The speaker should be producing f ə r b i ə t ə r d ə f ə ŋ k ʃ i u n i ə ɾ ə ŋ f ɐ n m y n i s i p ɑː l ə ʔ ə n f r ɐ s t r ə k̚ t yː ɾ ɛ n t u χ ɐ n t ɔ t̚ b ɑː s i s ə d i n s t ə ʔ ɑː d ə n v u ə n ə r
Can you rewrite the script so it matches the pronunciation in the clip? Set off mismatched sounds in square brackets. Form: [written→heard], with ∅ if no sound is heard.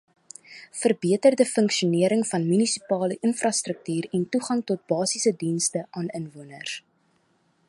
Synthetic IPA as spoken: f ə r b i ə t ə r d ə f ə ŋ k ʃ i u n i ə ɾ ə ŋ f ɐ n m y n i s i p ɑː l ə ʔ ə n f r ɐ s t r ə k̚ t yː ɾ ɛ n t u χ ɐ [n→ŋ] t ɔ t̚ b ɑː s i s ə d i n s t ə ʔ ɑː [d→n] ə n v u ə n ə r